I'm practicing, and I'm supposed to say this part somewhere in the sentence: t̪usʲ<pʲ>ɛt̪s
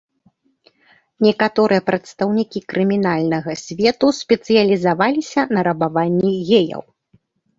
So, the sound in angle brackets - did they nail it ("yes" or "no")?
yes